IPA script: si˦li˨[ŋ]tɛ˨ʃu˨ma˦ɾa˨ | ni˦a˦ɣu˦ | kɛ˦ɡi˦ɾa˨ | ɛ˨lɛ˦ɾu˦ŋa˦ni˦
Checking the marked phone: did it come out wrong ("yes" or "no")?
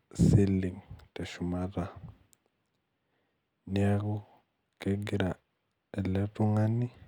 no